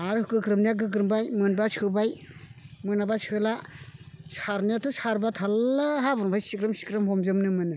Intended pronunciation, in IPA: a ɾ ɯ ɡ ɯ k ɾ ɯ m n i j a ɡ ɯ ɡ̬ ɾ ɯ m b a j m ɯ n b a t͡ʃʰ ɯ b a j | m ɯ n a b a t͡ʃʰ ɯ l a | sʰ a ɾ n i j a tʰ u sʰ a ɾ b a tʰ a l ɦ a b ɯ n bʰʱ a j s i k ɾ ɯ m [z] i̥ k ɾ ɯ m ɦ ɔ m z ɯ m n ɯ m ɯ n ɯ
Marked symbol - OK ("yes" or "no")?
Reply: no